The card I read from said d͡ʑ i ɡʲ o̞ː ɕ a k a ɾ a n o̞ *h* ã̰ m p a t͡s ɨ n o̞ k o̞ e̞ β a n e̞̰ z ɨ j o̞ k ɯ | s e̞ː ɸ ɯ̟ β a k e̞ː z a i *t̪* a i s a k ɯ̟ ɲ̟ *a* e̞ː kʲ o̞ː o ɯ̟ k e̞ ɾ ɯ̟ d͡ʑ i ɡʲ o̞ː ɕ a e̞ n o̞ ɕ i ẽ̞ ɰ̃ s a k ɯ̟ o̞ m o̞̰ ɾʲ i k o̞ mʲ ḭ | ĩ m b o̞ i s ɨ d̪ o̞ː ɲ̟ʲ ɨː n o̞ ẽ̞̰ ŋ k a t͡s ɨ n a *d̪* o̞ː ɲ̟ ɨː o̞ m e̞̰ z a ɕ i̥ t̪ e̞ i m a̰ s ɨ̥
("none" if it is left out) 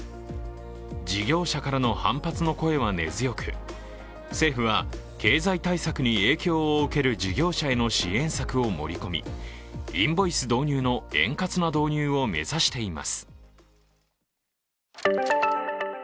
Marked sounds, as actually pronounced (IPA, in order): h, t̪, i, d̪

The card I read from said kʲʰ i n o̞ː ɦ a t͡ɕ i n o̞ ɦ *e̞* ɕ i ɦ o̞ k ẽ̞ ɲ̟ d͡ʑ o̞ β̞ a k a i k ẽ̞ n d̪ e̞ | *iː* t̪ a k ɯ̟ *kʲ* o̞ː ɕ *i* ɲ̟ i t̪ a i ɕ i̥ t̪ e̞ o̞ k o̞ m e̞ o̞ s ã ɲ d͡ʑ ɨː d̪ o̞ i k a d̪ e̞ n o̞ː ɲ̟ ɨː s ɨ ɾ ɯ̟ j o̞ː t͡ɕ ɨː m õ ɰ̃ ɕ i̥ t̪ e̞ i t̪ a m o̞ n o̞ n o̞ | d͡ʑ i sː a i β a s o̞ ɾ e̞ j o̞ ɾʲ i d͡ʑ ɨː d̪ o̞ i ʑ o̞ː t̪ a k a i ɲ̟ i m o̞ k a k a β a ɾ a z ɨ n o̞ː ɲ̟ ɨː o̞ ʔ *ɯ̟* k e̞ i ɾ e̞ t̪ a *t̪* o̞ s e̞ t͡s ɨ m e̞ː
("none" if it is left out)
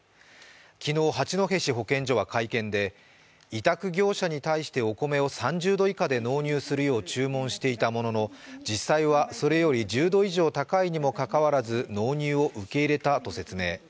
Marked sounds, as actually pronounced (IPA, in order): e̞, i, ɡʲ, a, ɯ̟, t̪

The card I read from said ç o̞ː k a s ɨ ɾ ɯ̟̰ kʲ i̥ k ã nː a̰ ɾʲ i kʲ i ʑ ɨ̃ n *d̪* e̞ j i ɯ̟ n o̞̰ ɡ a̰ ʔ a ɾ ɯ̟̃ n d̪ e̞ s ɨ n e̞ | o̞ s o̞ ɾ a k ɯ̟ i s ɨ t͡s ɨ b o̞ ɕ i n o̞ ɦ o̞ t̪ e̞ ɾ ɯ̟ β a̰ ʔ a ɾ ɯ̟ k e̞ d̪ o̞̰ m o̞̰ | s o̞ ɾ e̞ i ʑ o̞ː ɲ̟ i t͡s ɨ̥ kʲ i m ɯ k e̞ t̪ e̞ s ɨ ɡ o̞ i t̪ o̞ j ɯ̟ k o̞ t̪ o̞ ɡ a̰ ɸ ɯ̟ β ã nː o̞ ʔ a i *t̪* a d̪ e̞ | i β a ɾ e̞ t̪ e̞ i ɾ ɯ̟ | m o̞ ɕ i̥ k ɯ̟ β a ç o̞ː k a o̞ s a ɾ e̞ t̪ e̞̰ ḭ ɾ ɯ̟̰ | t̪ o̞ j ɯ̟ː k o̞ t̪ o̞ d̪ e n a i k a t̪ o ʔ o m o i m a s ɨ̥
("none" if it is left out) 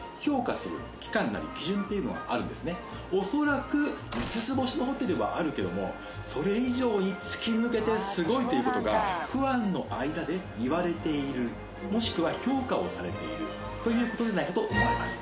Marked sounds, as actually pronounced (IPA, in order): t̪, d̪

